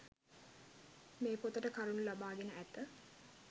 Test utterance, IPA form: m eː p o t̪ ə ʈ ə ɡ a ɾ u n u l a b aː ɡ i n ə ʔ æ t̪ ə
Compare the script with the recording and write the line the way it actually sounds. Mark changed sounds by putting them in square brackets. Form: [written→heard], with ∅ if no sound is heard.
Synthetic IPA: m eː p o t̪ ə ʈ ə [ɡ→k] a ɾ u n u l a b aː ɡ [i→e] n ə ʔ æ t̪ ə